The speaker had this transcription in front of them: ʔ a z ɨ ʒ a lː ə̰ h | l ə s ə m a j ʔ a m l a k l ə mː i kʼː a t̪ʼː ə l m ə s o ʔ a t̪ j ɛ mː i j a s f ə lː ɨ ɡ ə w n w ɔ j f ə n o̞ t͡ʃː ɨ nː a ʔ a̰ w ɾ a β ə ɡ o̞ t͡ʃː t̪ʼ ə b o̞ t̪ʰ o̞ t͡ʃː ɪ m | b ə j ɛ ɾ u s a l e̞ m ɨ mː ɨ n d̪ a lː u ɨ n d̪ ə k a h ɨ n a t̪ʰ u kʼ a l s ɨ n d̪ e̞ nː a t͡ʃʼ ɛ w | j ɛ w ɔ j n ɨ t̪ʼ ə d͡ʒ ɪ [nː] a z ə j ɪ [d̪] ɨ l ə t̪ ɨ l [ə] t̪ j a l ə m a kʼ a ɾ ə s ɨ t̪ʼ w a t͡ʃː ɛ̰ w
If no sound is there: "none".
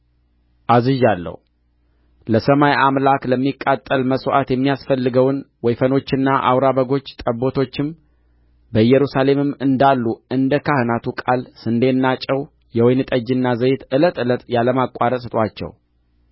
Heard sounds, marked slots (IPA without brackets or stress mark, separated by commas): nː, t̪, ə